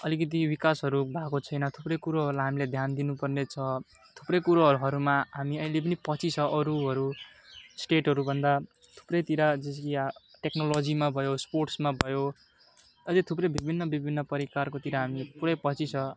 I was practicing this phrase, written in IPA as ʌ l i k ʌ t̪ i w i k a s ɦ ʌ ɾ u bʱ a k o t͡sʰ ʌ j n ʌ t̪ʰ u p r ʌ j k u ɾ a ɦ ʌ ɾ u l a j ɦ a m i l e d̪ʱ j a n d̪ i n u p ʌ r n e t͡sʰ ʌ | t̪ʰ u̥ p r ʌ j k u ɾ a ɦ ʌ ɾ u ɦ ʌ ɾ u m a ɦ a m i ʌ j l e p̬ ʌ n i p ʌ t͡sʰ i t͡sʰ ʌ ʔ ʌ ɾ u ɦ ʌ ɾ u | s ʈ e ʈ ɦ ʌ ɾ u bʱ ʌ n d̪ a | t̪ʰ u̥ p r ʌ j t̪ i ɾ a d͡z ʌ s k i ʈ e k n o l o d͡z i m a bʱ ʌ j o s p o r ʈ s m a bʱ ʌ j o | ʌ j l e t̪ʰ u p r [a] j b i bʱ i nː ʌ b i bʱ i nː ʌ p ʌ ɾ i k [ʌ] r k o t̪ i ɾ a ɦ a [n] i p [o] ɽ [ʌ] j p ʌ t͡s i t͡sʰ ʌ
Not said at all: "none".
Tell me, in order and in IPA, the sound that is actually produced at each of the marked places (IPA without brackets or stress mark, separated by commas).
ʌ, a, m, u, ʌ